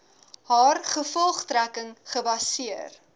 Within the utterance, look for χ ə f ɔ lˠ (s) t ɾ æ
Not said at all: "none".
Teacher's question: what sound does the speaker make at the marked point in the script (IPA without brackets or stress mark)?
χ